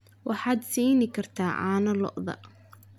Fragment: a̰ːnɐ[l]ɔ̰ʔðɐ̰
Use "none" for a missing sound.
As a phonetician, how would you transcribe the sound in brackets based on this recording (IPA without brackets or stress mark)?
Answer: l